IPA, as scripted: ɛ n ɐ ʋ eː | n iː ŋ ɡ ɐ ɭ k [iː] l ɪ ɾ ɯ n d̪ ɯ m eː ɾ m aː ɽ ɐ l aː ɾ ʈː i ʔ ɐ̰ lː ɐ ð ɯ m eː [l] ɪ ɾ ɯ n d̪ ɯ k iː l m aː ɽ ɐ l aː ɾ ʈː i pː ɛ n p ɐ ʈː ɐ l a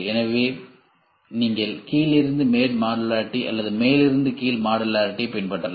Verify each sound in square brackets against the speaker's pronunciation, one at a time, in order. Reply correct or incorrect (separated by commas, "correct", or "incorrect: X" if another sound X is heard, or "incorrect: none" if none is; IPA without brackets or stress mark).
correct, correct